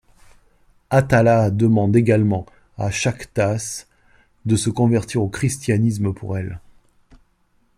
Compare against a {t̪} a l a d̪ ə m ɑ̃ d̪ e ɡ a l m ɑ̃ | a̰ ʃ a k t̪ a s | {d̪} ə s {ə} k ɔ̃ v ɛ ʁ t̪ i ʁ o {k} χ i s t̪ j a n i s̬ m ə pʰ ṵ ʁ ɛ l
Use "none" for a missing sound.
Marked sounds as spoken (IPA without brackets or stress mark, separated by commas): t̪, d̪, ə, k